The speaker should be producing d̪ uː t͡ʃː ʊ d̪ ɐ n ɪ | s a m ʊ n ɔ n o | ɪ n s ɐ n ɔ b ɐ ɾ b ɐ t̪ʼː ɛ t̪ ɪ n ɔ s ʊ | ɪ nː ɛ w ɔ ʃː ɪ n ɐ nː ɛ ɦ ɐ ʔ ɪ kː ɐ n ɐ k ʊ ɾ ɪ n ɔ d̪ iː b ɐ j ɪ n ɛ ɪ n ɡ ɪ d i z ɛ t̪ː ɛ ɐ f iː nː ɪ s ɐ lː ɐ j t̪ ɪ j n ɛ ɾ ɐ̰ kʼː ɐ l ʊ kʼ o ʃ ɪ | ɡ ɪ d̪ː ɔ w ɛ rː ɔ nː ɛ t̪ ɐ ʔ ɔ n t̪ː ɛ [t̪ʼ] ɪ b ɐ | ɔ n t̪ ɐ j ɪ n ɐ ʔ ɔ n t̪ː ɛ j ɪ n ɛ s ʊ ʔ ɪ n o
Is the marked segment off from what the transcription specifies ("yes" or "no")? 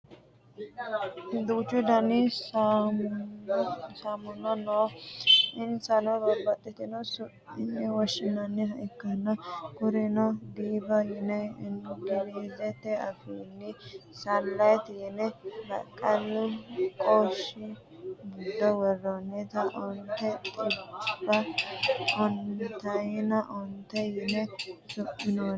no